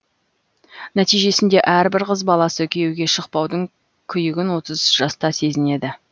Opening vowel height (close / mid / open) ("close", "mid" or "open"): open